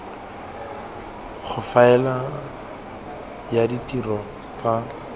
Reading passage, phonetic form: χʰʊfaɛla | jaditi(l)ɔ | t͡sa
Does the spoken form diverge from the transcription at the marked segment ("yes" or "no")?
yes